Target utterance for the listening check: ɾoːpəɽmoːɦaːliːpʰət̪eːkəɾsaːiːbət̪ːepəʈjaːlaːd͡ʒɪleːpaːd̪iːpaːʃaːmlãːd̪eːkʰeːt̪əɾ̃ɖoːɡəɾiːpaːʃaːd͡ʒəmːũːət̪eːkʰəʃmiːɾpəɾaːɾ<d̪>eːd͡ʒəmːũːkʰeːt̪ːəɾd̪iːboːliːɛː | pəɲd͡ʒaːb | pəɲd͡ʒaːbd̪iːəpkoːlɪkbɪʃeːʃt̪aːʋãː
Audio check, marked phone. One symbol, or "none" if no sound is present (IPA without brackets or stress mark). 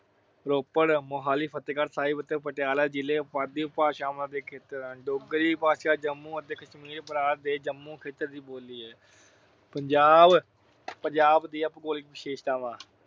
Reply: d̪